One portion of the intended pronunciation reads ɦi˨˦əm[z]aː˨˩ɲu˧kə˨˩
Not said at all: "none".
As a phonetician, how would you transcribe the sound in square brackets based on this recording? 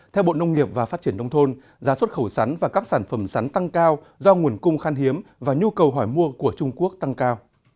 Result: v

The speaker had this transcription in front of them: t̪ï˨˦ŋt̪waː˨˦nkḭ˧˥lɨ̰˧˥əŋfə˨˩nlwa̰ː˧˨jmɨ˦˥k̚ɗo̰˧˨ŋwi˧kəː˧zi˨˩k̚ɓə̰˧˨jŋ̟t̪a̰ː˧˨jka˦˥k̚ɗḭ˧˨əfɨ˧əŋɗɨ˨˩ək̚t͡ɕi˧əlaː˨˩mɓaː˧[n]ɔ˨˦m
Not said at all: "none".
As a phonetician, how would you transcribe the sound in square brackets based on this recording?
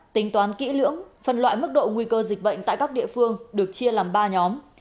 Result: ɲ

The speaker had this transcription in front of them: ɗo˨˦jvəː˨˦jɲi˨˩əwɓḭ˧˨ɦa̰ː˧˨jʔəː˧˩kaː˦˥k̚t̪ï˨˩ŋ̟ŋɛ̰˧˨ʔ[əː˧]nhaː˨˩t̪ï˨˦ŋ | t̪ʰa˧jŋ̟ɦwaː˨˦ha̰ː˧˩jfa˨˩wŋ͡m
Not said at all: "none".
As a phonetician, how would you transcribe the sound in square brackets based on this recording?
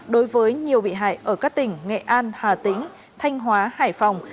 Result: aː˧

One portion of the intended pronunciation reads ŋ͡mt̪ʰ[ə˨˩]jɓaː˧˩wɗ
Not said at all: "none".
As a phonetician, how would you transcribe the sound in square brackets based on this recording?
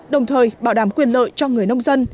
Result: əː˨˩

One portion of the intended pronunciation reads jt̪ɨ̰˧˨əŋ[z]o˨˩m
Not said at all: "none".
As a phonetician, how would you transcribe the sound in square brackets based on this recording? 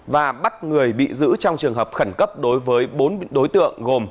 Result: ɣ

